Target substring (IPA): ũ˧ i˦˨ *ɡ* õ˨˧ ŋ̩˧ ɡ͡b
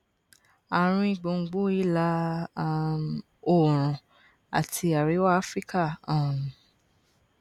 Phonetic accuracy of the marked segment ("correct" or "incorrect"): incorrect